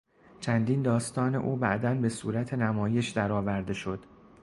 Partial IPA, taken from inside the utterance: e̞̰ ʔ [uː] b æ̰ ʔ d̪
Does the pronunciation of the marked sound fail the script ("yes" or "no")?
no